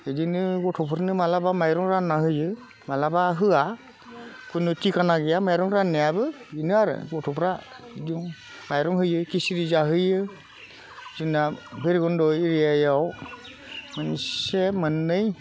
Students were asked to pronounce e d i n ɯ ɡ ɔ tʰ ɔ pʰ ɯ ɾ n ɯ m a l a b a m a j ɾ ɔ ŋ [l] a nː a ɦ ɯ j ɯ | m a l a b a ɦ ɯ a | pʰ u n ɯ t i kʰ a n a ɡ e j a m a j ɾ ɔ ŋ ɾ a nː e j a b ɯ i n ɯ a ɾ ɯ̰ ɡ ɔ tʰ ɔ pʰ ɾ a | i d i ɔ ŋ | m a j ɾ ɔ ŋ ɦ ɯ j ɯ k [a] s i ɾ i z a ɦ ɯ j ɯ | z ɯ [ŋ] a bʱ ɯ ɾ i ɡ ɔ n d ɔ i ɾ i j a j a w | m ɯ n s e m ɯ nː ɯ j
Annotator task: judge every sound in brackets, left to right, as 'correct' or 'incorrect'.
incorrect, incorrect, incorrect

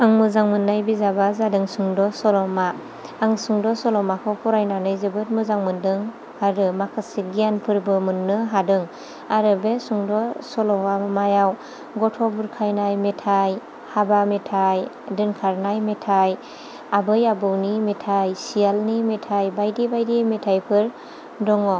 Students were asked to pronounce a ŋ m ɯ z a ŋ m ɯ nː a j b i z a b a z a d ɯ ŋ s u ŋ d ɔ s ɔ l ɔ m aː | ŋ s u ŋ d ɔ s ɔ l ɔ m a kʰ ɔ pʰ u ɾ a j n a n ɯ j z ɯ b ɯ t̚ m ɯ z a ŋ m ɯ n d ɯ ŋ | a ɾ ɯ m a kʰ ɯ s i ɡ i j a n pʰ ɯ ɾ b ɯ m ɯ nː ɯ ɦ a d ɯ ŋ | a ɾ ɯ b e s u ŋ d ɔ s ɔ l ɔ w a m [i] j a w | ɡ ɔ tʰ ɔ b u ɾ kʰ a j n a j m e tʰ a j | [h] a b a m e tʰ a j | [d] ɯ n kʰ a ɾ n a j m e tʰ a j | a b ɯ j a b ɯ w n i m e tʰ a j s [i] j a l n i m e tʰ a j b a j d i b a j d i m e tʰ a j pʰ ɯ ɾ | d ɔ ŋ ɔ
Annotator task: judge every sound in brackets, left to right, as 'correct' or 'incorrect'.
incorrect, correct, correct, correct

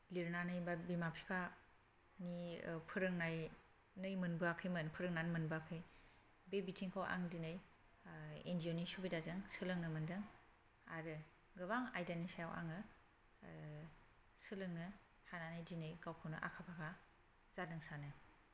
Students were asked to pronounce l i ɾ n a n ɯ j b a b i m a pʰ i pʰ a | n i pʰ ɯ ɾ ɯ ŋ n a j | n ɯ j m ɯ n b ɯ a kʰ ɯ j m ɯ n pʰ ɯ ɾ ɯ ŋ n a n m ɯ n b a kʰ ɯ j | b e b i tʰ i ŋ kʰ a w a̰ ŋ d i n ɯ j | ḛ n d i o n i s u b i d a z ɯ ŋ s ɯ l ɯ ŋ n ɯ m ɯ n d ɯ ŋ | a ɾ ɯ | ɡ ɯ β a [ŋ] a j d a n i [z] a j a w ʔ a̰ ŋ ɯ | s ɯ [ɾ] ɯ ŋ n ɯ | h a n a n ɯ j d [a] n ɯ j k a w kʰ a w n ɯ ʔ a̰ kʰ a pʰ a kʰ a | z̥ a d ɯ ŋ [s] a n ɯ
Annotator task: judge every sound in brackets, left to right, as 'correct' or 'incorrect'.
correct, incorrect, incorrect, incorrect, correct

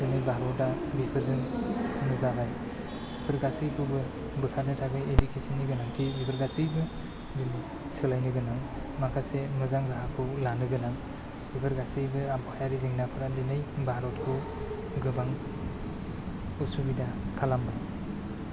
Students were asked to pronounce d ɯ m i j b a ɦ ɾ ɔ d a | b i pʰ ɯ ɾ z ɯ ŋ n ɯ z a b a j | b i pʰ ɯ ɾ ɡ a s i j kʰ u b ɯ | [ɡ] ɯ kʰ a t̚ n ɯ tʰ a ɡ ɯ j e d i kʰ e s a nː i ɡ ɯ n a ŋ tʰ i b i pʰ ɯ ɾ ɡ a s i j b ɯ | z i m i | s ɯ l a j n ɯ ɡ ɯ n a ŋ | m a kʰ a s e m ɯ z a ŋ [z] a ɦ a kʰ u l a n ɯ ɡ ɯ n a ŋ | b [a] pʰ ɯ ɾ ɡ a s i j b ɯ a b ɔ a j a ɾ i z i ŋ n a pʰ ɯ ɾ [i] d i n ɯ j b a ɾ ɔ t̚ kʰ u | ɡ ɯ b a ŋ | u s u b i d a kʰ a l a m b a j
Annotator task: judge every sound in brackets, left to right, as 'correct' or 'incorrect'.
incorrect, correct, incorrect, incorrect

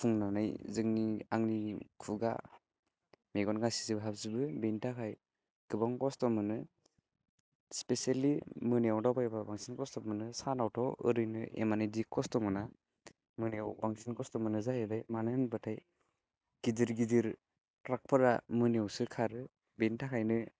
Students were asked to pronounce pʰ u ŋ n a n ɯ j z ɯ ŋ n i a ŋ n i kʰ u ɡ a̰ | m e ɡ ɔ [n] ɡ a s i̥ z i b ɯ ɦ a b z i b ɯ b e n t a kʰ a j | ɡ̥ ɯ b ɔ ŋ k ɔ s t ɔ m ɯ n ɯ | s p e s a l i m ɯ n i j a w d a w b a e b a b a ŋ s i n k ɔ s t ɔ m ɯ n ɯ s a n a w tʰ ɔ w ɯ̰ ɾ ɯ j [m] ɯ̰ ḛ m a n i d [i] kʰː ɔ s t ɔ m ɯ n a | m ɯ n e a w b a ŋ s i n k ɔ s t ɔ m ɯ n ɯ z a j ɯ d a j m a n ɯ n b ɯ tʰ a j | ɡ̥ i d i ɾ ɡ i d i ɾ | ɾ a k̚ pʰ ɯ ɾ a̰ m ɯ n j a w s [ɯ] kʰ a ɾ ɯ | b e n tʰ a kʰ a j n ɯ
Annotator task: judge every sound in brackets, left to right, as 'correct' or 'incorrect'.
correct, incorrect, correct, correct

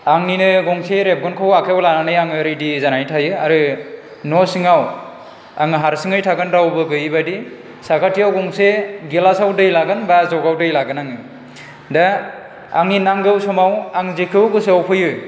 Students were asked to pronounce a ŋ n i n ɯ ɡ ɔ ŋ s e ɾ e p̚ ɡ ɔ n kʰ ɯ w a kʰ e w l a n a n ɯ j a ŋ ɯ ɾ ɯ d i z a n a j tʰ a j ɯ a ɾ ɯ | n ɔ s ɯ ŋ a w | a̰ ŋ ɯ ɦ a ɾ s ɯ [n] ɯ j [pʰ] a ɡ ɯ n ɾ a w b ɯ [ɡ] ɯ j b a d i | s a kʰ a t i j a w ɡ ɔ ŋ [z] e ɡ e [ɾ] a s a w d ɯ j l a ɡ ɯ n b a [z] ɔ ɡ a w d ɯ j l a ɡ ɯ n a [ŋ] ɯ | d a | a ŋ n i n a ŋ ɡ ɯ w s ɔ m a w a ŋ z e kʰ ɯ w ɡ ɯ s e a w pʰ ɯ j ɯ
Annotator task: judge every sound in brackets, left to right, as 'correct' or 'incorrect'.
incorrect, incorrect, correct, incorrect, incorrect, correct, correct

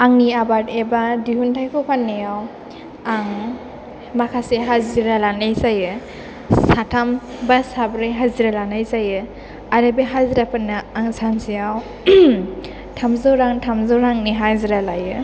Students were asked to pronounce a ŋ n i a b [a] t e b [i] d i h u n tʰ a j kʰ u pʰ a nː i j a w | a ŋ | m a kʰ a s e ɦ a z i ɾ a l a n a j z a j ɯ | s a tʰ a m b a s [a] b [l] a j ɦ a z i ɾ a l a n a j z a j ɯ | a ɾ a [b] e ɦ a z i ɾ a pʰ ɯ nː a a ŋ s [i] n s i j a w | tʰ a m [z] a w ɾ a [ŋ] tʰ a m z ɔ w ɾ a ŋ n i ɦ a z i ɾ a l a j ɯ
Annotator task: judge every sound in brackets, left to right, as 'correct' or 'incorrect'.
correct, incorrect, correct, incorrect, correct, incorrect, correct, correct

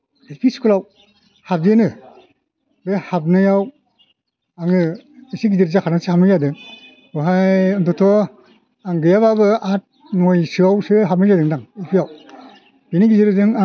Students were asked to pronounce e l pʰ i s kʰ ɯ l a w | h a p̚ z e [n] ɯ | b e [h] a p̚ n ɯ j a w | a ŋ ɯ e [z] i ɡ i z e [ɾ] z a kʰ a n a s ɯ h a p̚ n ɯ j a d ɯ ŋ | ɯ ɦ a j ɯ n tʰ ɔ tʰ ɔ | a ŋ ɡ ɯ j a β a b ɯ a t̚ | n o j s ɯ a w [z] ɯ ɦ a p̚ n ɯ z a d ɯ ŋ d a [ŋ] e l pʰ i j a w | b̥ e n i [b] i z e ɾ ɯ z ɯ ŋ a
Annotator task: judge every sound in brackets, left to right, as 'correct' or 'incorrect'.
correct, correct, incorrect, correct, incorrect, correct, incorrect

